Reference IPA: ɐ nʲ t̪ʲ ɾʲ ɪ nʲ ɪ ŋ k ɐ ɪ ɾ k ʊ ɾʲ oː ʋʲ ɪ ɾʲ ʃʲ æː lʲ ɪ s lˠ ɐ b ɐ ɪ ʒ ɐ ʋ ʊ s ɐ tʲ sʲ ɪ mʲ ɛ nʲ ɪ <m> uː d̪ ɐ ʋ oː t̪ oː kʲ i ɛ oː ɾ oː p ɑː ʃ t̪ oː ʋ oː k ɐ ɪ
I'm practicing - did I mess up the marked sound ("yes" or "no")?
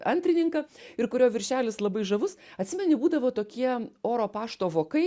yes